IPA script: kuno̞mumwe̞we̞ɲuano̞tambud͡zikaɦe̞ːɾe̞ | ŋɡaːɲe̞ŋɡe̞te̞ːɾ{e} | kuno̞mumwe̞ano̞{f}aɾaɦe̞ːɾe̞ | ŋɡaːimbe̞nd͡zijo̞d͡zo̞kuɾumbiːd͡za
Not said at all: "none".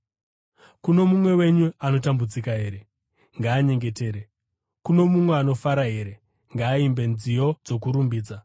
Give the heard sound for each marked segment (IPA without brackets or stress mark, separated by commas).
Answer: e, f